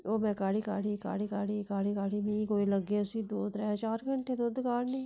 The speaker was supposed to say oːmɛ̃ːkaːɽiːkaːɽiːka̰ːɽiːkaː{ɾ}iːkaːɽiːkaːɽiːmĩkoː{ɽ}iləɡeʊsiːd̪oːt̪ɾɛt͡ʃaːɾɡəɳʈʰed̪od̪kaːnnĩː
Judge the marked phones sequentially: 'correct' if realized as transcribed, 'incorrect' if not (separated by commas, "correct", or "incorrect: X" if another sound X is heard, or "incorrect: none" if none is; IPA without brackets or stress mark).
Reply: incorrect: ɽ, incorrect: none